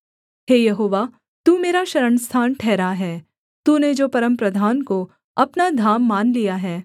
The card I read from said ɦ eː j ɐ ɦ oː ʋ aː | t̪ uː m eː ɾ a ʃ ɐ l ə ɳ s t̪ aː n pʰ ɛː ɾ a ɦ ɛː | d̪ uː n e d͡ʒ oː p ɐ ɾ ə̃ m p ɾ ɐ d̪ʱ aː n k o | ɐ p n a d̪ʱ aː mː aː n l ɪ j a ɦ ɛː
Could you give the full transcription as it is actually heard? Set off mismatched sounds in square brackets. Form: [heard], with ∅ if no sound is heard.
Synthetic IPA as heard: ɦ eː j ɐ ɦ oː ʋ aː | t̪ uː m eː ɾ a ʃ ɐ [ɾ] ə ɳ s [t̪ʰ] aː n [ʈʰ] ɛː ɾ a ɦ ɛː | [t̪] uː n e d͡ʒ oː p ɐ ɾ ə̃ m p ɾ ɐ d̪ʱ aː n k o | ɐ p n a d̪ʱ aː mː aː n l [i] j a ɦ ɛː